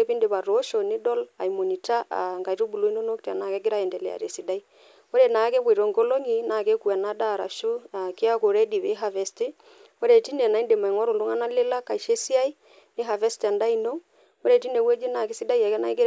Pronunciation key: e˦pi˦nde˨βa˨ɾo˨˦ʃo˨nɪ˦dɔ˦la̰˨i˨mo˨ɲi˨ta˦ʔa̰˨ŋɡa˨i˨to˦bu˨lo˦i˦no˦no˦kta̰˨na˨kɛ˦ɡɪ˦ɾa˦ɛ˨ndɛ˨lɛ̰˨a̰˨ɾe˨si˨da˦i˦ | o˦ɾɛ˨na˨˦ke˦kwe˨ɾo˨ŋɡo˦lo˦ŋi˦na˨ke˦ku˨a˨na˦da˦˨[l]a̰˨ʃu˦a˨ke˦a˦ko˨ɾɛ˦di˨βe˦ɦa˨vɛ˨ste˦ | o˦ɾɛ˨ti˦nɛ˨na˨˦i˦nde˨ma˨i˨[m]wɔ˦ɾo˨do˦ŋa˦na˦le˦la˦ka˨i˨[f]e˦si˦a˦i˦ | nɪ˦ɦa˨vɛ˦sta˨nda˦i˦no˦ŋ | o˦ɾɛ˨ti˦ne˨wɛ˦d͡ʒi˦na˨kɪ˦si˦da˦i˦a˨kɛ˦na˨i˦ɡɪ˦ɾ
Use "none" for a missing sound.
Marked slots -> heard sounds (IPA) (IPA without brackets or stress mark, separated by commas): ɾ, ŋ, ʃ